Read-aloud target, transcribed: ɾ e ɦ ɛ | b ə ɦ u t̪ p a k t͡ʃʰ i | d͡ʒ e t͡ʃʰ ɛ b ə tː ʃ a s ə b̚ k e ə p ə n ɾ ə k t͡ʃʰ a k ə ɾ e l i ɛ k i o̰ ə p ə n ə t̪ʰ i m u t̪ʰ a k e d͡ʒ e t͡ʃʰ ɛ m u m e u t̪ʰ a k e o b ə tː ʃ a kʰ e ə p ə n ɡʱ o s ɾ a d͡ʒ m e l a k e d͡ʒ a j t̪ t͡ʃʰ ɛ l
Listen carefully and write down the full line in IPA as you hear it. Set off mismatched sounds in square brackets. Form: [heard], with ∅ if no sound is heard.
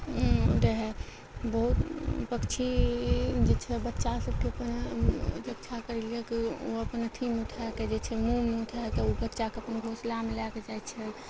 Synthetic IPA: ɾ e ɦ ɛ | b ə ɦ u t̪ p [ə] k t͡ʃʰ i | d͡ʒ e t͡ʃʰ ɛ b ə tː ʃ a s ə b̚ k e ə p ə n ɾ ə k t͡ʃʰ a k ə ɾ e l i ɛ k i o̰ ə p ə n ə t̪ʰ i m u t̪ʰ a k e d͡ʒ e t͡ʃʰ ɛ m u m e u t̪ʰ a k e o b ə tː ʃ a [k] e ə p ə n ɡʱ o s [l] a [∅] m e l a k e d͡ʒ a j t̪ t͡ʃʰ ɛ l